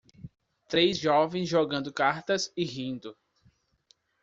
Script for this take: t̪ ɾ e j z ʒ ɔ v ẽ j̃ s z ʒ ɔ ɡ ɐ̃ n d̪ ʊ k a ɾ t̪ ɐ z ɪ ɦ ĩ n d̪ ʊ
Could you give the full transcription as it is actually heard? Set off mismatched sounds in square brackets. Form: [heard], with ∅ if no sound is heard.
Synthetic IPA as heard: t̪ ɾ e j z ʒ ɔ v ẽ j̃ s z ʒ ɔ ɡ ɐ̃ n d̪ ʊ k a ɾ t̪ ɐ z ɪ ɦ ĩ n d̪ ʊ